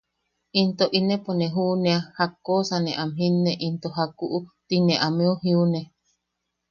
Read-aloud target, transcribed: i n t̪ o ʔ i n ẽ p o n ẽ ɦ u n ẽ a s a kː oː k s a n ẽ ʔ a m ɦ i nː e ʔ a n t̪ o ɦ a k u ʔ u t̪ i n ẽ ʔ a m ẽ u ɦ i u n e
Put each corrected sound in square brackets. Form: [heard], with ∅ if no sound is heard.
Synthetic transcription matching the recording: i n t̪ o ʔ i n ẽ p o n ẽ ɦ u n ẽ a [h] a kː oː [∅] s a n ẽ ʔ a m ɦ i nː e ʔ [i] n t̪ o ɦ a k u ʔ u t̪ i n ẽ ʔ a m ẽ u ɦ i u n e